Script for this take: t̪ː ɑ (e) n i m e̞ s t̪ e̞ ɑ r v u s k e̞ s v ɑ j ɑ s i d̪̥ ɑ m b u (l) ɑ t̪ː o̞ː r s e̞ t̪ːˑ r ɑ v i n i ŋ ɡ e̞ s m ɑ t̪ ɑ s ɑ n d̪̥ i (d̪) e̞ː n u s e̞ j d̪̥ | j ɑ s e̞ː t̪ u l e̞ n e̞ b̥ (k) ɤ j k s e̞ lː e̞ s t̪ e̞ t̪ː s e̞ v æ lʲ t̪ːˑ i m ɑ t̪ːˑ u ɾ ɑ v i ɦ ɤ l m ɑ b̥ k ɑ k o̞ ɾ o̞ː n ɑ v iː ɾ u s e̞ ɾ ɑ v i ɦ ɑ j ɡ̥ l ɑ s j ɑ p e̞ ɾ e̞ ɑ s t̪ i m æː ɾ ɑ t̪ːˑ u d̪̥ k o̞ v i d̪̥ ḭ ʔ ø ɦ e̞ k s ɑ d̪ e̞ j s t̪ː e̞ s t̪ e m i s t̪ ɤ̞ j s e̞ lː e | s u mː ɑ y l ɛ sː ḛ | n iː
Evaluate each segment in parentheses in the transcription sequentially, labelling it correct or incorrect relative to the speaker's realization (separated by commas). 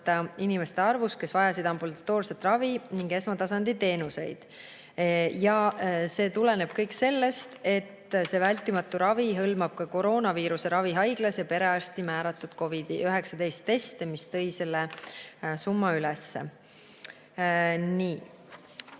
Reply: incorrect, correct, incorrect, correct